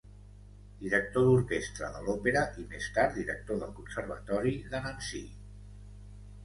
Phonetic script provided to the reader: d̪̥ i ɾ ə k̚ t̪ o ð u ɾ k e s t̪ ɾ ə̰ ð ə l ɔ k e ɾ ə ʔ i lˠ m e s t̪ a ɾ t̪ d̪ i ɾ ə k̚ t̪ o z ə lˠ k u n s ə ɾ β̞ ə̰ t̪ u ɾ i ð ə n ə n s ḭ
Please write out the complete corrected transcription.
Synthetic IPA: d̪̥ i ɾ ə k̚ t̪ o ð u ɾ k e s t̪ ɾ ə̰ ð ə l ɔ p e ɾ ə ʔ i m e s t̪ a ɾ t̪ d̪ i ɾ ə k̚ t̪ o ð ə lˠ k u n s ə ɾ β̞ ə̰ t̪ ɔ ɾ i ð ə n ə n s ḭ